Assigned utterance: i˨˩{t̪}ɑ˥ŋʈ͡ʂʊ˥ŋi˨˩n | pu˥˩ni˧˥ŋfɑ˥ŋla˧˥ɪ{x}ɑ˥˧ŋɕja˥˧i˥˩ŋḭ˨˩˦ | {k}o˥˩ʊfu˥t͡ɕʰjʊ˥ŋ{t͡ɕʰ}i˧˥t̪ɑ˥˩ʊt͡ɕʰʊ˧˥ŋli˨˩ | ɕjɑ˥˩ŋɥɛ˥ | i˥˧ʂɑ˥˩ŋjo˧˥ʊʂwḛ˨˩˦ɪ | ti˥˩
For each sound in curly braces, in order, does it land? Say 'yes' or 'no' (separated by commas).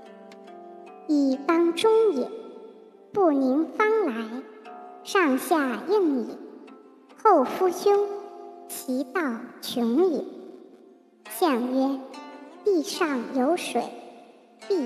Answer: yes, no, no, yes